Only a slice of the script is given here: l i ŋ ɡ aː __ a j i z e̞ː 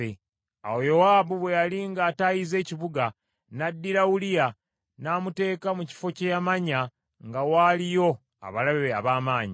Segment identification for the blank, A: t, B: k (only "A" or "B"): A